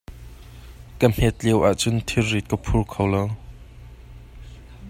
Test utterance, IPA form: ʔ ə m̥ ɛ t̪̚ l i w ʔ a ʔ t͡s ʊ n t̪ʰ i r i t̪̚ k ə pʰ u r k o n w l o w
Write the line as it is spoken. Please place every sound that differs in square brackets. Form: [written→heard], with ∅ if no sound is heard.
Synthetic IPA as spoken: [ʔ→k] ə m̥ ɛ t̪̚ l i w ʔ a ʔ t͡s ʊ n t̪ʰ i r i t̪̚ k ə pʰ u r [k→kʰ] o [n→∅] w l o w